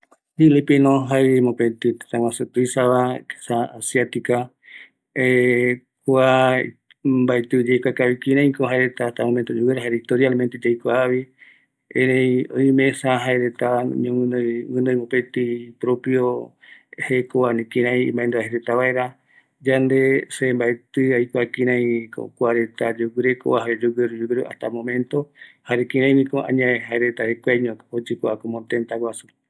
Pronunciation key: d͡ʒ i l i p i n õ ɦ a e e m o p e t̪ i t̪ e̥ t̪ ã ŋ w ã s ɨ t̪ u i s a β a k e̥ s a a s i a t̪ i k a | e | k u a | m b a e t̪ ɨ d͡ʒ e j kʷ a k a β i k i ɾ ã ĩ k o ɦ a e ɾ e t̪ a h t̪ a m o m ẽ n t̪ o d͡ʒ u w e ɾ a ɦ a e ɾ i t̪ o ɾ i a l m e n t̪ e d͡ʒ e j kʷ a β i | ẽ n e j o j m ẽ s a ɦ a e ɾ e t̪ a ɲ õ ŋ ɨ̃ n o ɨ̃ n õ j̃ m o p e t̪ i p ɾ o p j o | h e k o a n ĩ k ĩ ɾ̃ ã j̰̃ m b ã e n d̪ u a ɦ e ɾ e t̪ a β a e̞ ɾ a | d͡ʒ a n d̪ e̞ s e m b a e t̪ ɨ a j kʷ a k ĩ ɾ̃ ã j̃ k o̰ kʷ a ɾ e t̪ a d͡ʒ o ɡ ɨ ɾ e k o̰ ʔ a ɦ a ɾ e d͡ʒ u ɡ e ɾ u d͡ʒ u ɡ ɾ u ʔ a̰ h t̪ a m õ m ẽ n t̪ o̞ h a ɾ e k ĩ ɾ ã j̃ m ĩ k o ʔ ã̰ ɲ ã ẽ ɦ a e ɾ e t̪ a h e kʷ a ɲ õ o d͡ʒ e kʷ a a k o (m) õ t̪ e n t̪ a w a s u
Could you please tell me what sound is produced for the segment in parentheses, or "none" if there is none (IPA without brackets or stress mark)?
m